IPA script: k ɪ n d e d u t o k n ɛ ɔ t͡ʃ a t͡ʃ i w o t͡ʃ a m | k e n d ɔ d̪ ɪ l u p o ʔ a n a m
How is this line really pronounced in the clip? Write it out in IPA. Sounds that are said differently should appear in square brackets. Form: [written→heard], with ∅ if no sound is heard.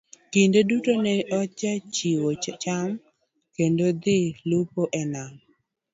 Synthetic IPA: k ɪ n d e d u t o [k→∅] n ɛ ɔ t͡ʃ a t͡ʃ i w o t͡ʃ a m | k e n d [ɔ→o] d̪ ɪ l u p o ʔ [a→ɛ] n a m

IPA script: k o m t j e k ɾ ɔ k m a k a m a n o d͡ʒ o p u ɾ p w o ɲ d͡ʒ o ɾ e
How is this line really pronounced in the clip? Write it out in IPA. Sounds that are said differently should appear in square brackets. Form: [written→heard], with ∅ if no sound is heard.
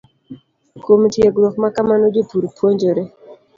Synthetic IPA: k o m t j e [k→ɡ] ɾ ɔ k m a k a m a n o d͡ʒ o p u ɾ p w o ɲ d͡ʒ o ɾ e

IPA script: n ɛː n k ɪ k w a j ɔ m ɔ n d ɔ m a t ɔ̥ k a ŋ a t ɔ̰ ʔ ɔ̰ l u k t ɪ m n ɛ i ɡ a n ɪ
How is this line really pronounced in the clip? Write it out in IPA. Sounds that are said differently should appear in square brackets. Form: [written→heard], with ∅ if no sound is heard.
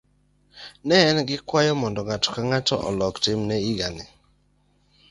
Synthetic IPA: n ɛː n [k→ɡ] ɪ k w a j ɔ m ɔ n d ɔ [m→ŋ] a t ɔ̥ k a ŋ a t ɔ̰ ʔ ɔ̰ l [u→ɔ] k t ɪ m n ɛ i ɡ a n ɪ

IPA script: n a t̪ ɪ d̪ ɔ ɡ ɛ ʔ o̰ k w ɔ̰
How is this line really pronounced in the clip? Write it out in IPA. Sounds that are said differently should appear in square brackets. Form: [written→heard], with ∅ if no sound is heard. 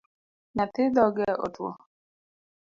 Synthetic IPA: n a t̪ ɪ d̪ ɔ ɡ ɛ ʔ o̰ [k→t] w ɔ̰

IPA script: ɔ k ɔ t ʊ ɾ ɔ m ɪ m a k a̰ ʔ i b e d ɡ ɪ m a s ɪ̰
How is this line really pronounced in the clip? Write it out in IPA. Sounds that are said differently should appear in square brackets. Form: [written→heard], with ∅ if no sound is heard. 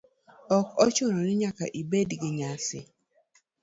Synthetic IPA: ɔ k ɔ [t→t͡ʃ] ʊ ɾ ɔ [m→n] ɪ [m→ɲ] a k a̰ ʔ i b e d ɡ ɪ [m→ɲ] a s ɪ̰

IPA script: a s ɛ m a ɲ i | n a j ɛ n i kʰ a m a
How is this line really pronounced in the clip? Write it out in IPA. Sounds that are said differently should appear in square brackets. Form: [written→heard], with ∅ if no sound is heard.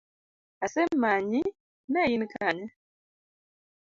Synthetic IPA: a s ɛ m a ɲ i | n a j [ɛ→i] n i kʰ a [m→ɲ] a

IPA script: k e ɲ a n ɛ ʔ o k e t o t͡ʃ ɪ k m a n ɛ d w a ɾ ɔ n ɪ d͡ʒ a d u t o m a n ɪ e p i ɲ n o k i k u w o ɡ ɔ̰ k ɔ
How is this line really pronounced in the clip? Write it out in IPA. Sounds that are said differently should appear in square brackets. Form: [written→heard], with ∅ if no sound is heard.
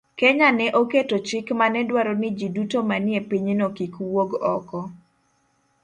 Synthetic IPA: k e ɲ a n ɛ ʔ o k e t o t͡ʃ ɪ k m a n ɛ d w a ɾ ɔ n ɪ d͡ʒ [a→i] d u t o m a n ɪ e p i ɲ n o k i k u w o ɡ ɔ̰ k ɔ

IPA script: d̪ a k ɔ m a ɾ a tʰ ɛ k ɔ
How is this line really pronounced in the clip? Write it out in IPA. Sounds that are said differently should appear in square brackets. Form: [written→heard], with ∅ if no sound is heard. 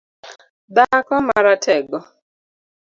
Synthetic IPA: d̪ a k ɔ m a ɾ a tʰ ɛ [k→ɡ] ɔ

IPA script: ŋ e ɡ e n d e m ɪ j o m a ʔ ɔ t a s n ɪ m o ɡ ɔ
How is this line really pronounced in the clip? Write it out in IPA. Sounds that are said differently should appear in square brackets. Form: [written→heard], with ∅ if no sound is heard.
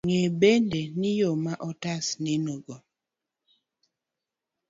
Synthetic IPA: ŋ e [ɡ→b] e n d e [m→n] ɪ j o m a ʔ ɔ t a s n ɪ [m→n] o ɡ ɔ

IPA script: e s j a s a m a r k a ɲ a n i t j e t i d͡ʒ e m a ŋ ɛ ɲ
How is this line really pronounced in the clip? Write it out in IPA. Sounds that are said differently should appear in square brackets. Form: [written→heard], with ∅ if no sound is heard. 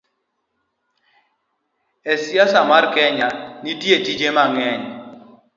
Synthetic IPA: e s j a s a m a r k [a→ɛ] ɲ a n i t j e t i d͡ʒ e m a ŋ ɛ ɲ

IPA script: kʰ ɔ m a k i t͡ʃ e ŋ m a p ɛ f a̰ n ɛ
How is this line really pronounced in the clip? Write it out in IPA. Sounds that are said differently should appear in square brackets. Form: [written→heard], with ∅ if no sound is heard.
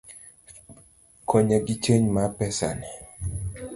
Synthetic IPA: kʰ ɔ [m→ɲ] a [k→ɡ] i t͡ʃ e [ŋ→ɲ] m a p ɛ [f→s] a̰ n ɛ

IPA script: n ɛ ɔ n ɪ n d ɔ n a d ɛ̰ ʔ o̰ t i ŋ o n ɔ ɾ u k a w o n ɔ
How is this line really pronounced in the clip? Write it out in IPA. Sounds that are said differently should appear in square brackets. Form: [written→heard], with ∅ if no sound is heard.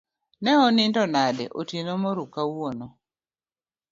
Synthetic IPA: n ɛ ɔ n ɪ n d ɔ n a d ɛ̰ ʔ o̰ t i [ŋ→n] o [n→m] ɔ ɾ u k a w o n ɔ

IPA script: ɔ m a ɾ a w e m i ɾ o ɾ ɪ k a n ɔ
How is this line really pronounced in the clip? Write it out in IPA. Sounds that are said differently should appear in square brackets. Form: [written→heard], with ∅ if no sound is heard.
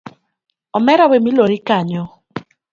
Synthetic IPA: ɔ m [a→ɛ] ɾ a w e m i [ɾ→l] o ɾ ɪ k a [n→ɲ] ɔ

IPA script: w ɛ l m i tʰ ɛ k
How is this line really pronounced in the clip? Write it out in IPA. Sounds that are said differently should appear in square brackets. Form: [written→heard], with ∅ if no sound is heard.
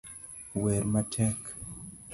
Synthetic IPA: w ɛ [l→ɾ] m [i→a] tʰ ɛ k

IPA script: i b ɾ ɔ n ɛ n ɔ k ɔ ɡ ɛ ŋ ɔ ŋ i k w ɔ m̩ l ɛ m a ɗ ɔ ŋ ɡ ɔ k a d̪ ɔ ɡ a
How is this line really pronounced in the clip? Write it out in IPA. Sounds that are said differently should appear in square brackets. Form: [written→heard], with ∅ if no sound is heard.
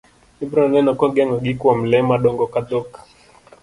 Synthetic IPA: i b ɾ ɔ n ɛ n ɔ k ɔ ɡ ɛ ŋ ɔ [ŋ→ɡ] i k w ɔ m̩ l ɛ m a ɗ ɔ ŋ ɡ ɔ k a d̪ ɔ [ɡ→k] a

